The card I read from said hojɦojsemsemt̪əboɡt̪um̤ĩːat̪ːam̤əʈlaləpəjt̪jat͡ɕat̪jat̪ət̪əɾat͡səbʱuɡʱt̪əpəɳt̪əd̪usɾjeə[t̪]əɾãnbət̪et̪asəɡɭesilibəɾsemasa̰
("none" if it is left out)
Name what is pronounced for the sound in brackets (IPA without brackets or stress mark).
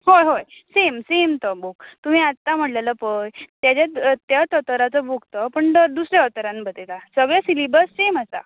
t̪